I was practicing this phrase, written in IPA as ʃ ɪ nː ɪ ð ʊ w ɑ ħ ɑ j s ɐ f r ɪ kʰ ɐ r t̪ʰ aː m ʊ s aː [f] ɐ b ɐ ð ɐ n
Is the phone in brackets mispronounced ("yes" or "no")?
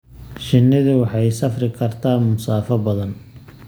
no